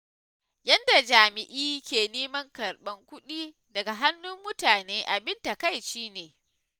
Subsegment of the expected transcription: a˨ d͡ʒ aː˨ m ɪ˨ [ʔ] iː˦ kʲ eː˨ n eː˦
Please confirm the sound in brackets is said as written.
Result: yes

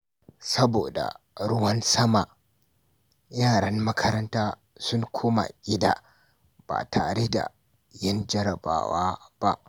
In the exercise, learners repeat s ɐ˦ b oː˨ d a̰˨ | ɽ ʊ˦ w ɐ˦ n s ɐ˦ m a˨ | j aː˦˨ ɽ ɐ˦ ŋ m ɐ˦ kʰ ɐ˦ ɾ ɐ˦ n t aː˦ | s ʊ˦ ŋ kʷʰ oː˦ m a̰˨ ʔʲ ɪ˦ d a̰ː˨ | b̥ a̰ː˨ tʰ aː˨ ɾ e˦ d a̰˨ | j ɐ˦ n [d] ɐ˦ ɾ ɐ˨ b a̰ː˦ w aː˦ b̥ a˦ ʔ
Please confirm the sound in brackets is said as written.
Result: no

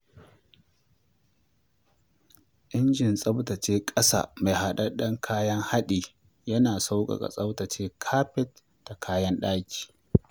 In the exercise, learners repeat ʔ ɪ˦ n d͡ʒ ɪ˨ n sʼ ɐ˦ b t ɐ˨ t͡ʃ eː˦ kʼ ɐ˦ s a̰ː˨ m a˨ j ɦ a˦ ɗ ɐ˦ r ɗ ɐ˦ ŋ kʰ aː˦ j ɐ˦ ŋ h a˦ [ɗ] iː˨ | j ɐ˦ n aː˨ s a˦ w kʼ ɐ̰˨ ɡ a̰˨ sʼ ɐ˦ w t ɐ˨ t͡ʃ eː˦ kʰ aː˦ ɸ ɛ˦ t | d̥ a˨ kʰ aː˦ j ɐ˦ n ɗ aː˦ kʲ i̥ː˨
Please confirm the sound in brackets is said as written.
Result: yes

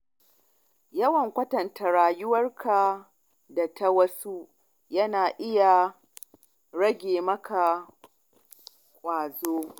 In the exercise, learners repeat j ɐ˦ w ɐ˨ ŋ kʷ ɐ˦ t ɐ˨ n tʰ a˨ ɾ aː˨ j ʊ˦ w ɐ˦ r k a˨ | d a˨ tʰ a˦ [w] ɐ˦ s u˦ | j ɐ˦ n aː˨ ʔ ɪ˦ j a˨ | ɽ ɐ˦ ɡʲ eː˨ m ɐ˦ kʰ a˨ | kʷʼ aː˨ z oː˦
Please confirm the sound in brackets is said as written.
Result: yes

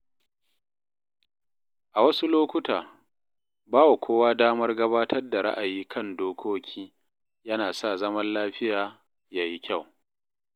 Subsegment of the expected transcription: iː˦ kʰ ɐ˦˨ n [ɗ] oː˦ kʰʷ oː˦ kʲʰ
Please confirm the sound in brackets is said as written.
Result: no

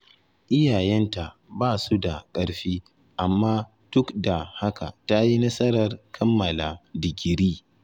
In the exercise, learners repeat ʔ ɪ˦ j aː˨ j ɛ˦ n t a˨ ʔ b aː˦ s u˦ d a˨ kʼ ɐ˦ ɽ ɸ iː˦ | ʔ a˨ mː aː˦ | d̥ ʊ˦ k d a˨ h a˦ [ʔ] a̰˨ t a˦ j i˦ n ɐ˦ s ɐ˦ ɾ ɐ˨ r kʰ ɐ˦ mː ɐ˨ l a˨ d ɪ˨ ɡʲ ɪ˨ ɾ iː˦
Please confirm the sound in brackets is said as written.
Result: no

